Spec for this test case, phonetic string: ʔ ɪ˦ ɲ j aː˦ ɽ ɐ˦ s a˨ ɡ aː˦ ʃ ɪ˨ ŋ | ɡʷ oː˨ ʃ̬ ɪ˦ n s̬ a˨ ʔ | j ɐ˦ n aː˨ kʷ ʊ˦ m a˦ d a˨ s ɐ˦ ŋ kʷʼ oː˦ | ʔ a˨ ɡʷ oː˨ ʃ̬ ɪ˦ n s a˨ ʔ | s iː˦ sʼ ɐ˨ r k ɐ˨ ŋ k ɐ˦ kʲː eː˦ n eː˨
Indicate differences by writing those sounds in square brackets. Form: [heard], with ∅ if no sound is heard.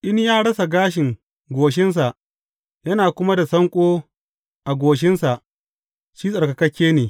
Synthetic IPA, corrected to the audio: ʔ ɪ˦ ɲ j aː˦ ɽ ɐ˦ s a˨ ɡ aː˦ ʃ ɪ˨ ŋ | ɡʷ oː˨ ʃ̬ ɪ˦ n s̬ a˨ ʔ | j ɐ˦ n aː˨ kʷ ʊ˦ m a˦ d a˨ s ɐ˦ ŋ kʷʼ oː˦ | ʔ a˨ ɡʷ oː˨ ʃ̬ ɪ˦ n s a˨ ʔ | [ʃ] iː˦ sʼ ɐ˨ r k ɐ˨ [∅] k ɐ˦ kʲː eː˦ n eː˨